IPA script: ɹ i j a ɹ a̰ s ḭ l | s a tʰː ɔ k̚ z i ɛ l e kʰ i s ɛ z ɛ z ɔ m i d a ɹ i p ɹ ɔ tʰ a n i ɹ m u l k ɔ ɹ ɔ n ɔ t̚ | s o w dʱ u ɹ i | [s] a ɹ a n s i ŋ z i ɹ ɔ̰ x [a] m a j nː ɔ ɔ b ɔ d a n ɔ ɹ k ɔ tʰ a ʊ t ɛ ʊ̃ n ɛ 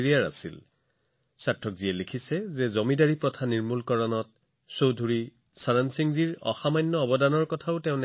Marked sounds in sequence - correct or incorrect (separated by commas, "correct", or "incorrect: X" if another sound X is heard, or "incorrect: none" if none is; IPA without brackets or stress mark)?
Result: correct, correct